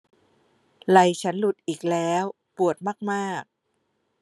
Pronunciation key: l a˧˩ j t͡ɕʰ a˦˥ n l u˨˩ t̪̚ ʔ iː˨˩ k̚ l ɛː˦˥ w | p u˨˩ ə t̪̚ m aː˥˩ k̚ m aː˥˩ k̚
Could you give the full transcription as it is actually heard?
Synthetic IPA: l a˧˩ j t͡ɕʰ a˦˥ n l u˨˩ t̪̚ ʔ iː˨˩ k̚ l ɛː˦˥ w | p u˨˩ ə t̪̚ m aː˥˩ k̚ m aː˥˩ k̚

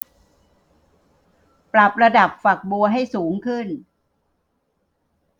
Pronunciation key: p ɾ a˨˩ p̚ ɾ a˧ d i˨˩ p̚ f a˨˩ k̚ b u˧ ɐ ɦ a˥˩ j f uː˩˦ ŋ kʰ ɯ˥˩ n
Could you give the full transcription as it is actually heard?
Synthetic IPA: p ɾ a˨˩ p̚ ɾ a˧ d a˨˩ p̚ f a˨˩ k̚ b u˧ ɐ ɦ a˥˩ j s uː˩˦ ŋ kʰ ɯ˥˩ n

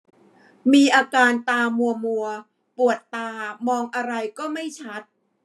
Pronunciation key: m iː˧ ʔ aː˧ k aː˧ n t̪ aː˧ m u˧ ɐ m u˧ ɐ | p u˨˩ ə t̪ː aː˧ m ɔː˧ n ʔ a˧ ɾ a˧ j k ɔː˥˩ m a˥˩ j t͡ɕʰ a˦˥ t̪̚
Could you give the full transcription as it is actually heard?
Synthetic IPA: m iː˧ ʔ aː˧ k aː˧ n t̪ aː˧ m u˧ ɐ m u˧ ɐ | p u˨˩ ə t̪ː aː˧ m ɔː˧ ŋ ʔ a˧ ɾ a˧ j k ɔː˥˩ m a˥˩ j t͡ɕʰ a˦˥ t̪̚

